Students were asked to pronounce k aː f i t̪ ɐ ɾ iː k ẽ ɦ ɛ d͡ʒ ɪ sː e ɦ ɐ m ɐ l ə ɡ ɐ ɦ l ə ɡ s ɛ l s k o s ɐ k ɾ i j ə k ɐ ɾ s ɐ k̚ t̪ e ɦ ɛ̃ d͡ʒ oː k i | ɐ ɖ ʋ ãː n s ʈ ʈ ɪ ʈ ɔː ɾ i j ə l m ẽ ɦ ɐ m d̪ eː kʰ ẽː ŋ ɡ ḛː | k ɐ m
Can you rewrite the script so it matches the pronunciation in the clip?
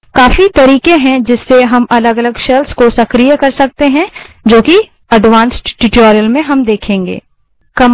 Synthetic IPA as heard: k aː f i t̪ ɐ ɾ iː k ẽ ɦ ɛ̃ d͡ʒ ɪ sː e ɦ ɐ m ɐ l ə ɡ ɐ l ə ɡ ʃ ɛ l s k o s ɐ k ɾ i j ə k ɐ ɾ s ɐ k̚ t̪ e ɦ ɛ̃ d͡ʒ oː k i | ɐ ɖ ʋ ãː n s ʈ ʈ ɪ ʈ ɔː ɾ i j ə l m ẽ ɦ ɐ m d̪ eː kʰ ẽː ŋ ɡ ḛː | k ɐ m